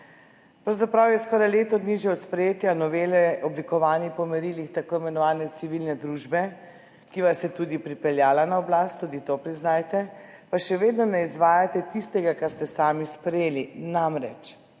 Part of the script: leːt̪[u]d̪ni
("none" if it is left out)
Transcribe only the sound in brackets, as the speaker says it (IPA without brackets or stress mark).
ɔ